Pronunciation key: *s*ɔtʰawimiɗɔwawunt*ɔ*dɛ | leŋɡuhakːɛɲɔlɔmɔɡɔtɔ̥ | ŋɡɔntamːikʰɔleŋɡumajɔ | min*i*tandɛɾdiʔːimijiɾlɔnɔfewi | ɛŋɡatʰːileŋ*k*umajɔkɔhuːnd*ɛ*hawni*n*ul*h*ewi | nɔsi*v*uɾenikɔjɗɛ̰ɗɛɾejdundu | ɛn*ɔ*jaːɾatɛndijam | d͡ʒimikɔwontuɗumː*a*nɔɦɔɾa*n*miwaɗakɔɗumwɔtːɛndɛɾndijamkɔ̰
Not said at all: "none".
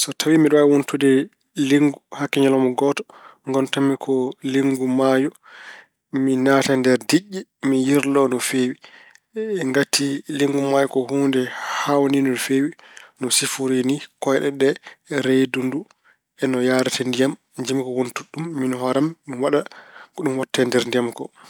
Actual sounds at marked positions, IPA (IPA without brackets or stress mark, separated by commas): s, u, a, ɡ, ɛ, n, f, f, ɔ, i, m